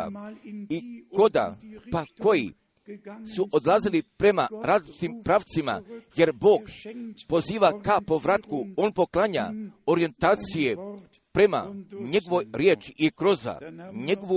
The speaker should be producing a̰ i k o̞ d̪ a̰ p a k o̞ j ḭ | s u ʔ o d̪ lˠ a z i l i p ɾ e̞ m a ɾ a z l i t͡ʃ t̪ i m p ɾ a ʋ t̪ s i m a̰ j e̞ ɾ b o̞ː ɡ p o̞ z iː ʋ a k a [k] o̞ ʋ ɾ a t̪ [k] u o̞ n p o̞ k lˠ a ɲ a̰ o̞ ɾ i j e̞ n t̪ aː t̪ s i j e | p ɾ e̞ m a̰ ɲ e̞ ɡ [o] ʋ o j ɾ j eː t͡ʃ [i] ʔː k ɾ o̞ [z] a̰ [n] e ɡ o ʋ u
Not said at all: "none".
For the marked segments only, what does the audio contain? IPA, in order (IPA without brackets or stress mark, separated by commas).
p, k, o, i, z, ɲ